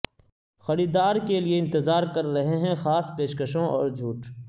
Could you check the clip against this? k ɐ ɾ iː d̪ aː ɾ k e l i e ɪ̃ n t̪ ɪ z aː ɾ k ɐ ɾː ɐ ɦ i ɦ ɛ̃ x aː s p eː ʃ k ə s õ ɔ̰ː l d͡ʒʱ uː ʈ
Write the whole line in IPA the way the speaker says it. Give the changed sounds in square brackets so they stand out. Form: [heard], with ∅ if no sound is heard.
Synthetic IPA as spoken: [x] ɐ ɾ iː d̪ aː ɾ k e l i e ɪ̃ n t̪ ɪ z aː ɾ k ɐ ɾː ɐ ɦ [e] ɦ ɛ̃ x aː s p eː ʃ k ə [ʃ] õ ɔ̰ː [ɾ] d͡ʒʱ uː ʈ

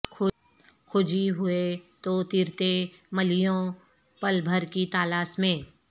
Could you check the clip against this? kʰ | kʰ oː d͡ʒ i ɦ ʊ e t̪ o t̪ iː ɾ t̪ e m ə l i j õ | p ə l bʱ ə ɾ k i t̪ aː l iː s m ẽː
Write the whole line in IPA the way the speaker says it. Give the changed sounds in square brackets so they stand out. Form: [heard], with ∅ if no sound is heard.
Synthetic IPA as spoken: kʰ | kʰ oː d͡ʒ i ɦ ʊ e t̪ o t̪ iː ɾ t̪ e m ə l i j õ | p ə l bʱ ə ɾ k i t̪ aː l [aː] s m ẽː

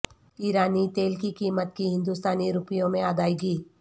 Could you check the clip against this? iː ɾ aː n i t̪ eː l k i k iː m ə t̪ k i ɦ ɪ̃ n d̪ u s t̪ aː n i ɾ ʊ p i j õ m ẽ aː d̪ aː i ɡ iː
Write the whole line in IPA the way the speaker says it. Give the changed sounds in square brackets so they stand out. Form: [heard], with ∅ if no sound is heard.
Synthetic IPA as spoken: iː ɾ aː n i t̪ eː l k i k iː m ə t̪ k i ɦ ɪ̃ n d̪ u s t̪ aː n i ɾ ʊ p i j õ m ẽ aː d̪ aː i ɡ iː

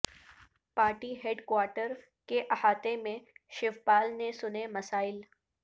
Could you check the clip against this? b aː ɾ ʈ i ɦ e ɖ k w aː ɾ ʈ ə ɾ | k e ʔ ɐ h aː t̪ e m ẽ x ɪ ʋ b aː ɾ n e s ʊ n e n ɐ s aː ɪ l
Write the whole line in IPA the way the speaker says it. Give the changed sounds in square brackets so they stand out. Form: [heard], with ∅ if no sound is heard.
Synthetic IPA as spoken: [p] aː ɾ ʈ i ɦ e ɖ k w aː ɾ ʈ ə ɾ | k e ʔ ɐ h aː t̪ e m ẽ [ʃ] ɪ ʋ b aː [l] n e s ʊ n e [m] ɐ s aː ɪ l

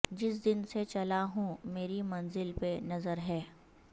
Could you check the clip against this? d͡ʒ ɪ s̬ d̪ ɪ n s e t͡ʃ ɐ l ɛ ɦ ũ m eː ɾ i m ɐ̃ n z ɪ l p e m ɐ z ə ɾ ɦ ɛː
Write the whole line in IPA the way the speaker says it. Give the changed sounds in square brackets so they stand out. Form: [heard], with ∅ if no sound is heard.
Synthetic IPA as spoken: d͡ʒ ɪ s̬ d̪ ɪ n s e t͡ʃ ɐ l [a] ɦ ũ m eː ɾ i m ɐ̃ n z ɪ l p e [n] ɐ z ə ɾ ɦ ɛː

